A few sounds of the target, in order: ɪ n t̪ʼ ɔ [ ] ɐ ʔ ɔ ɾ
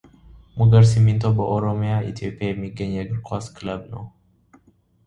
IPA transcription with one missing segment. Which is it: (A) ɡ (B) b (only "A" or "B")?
B